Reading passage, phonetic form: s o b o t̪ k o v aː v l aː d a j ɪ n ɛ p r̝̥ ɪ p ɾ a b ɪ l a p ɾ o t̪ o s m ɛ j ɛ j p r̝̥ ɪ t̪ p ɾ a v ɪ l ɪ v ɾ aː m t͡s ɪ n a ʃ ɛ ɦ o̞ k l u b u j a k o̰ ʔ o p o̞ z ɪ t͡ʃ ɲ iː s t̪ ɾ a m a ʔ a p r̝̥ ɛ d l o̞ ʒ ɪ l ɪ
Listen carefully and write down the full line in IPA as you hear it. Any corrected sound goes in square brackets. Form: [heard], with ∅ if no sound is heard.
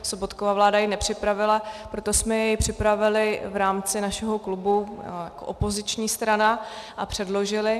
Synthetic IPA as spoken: s o b o t̪ k o v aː v l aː d a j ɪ n ɛ p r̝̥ ɪ p ɾ a [v] ɪ l a p ɾ o t̪ o s m ɛ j ɛ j p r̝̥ ɪ [∅] p ɾ a v ɪ l ɪ v ɾ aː m t͡s ɪ n a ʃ ɛ ɦ o̞ k l u b u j a k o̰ ʔ o p o̞ z ɪ t͡ʃ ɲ iː s t̪ ɾ a [n] a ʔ a p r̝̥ ɛ d l o̞ ʒ ɪ l ɪ

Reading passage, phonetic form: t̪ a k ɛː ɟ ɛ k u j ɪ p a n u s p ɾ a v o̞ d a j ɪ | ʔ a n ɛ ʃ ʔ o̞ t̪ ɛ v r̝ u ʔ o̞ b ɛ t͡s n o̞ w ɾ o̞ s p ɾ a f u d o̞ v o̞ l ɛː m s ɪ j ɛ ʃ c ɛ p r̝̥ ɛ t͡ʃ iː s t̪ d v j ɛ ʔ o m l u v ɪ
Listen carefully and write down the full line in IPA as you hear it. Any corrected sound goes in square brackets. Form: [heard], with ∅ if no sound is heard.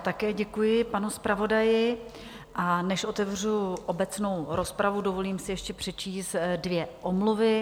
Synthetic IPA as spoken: t̪ a k ɛː ɟ ɛ k u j ɪ p a n u s p ɾ a v o̞ d a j ɪ | ʔ a n ɛ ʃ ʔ o̞ t̪ ɛ v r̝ u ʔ o̞ b ɛ t͡s n o̞ w ɾ o̞ s p ɾ a [v] u d o̞ v o̞ l [iː] m s ɪ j ɛ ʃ c ɛ p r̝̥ ɛ t͡ʃ iː s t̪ d v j ɛ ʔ o m l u v ɪ

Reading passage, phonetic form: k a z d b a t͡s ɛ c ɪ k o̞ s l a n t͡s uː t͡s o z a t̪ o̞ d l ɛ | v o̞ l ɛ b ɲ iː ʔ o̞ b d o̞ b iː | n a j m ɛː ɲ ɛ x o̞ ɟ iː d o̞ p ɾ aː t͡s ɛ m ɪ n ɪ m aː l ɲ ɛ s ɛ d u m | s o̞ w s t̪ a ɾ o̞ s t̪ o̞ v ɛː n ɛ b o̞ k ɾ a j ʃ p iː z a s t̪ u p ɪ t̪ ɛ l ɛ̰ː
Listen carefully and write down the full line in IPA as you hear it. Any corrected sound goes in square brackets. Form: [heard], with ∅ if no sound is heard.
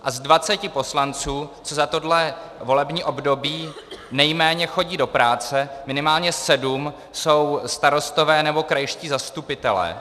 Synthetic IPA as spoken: [ʔ] a z d [v] a t͡s ɛ c ɪ [p] o̞ s l a n t͡s uː t͡s o z a t̪ o̞ d l ɛ | v o̞ l ɛ b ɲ iː ʔ o̞ b d o̞ b iː | n [ɛ] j m ɛː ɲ ɛ x o̞ ɟ iː d o̞ p ɾ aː t͡s ɛ m ɪ n ɪ m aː l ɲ ɛ s ɛ d u m | s o̞ w s t̪ a ɾ o̞ s t̪ o̞ v ɛː n ɛ b o̞ k ɾ a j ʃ [c] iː z a s t̪ u p ɪ t̪ ɛ l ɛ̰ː

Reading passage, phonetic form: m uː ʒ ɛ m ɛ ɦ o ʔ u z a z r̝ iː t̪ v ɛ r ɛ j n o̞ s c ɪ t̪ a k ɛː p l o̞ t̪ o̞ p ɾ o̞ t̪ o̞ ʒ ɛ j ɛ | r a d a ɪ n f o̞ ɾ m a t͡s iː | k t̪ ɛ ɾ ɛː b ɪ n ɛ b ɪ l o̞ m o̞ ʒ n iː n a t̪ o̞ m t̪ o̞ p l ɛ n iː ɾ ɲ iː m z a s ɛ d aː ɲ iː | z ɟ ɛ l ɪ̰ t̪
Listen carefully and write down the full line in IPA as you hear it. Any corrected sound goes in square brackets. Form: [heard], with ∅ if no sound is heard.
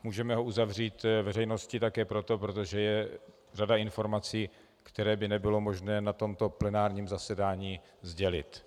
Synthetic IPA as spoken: m uː ʒ ɛ m ɛ ɦ o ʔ u z a [v] r̝ iː t̪ v ɛ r ɛ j n o̞ s c ɪ t̪ a k ɛː p [ɾ] o̞ t̪ o̞ p ɾ o̞ t̪ o̞ ʒ ɛ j ɛ | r a d a ɪ n f o̞ ɾ m a t͡s iː | k t̪ ɛ ɾ ɛː b ɪ n ɛ b ɪ l o̞ m o̞ ʒ n [ɛː] n a t̪ o̞ m t̪ o̞ p l ɛ n [aː] ɾ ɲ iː m z a s ɛ d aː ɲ iː | z ɟ ɛ l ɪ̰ t̪

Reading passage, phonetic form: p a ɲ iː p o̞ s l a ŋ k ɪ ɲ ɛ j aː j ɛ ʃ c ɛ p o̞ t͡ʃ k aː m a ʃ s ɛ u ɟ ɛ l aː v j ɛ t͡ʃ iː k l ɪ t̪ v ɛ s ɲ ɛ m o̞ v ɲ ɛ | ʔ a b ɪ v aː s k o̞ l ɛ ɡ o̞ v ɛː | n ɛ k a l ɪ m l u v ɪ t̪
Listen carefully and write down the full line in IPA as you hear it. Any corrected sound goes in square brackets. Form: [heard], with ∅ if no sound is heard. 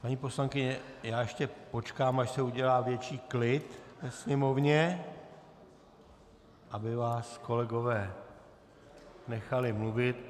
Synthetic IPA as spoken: p a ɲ iː p o̞ s l a ŋ k ɪ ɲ ɛ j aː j ɛ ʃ c ɛ p o̞ t͡ʃ k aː m a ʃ s ɛ u ɟ ɛ l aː v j ɛ t͡ʃ iː k l ɪ t̪ v ɛ s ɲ ɛ m o̞ v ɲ ɛ | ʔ a b ɪ v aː s k o̞ l ɛ ɡ o̞ v ɛː | n ɛ [x] a l ɪ m l u v ɪ t̪

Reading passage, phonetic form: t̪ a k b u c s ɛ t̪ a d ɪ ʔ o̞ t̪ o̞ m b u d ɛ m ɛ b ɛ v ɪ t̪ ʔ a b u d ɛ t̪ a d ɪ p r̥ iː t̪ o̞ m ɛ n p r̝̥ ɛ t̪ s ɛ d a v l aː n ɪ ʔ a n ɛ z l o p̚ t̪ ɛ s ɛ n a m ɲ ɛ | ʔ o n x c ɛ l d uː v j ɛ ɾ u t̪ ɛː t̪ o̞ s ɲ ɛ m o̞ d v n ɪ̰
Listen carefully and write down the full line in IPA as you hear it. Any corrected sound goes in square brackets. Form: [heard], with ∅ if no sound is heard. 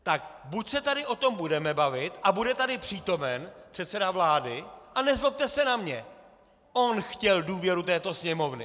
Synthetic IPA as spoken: t̪ a k b u c s ɛ t̪ a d ɪ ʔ o̞ t̪ o̞ m b u d ɛ m ɛ b [a] v ɪ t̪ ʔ a b u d ɛ t̪ a d ɪ p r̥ iː t̪ o̞ m ɛ n p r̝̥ ɛ t̪ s ɛ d a v l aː [d] ɪ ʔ a n ɛ z l o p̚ t̪ ɛ s ɛ n a m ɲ ɛ | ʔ o n x c ɛ l d uː v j ɛ ɾ u t̪ ɛː t̪ o̞ s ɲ ɛ m o̞ [∅] v n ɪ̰

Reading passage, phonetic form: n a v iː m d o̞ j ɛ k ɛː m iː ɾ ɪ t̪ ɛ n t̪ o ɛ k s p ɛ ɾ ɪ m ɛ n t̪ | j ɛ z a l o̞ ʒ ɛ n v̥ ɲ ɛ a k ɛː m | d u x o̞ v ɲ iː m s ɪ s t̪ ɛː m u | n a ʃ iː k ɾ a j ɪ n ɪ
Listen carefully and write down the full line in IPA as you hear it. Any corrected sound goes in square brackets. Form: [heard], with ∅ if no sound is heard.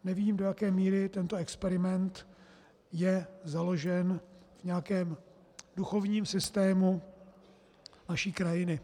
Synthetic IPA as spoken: n [ɛ] v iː m d o̞ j [a] k ɛː m iː ɾ ɪ t̪ ɛ n t̪ o ɛ k s p ɛ ɾ ɪ m ɛ n t̪ | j ɛ z a l o̞ ʒ ɛ n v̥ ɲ ɛ a k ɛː m | d u x o̞ v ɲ iː m s ɪ s t̪ ɛː m u | n a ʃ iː k ɾ a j ɪ n ɪ

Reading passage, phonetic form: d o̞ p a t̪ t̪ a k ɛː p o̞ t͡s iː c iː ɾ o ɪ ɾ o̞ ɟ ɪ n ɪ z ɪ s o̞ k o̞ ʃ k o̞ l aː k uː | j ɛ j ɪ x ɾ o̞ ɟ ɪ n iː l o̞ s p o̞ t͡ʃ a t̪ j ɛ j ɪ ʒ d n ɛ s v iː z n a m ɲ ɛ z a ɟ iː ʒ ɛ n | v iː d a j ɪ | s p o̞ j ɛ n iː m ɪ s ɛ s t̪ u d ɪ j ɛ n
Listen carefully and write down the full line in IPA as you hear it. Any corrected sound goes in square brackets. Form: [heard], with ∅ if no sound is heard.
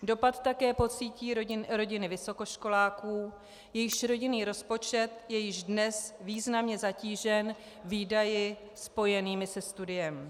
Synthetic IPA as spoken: d o̞ p a t̪ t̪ a k ɛː p o̞ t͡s iː c iː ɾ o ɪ ɾ o̞ ɟ ɪ n ɪ [v] ɪ s o̞ k o̞ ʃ k o̞ l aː k uː | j ɛ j ɪ [ʃ] ɾ o̞ ɟ ɪ n iː [ɾ] o̞ s p o̞ t͡ʃ [ɛ] t̪ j ɛ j ɪ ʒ d n ɛ s v iː z n a m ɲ ɛ z a [c] iː ʒ ɛ n | v iː d a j ɪ | s p o̞ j ɛ n iː m ɪ s ɛ s t̪ u d ɪ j ɛ [m]

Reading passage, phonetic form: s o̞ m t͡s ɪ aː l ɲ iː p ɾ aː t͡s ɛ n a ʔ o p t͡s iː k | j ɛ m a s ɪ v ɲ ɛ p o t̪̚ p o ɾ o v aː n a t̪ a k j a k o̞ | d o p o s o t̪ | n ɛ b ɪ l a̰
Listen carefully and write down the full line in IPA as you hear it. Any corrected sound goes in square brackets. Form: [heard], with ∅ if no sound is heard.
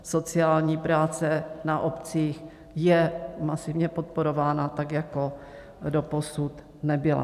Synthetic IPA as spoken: s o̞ [∅] t͡s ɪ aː l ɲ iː p ɾ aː t͡s ɛ n a ʔ o p t͡s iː [x] | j ɛ m a s ɪ v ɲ ɛ p o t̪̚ p o ɾ o v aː n a t̪ a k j a k o̞ | d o p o s [u] t̪ | n ɛ b ɪ l a̰

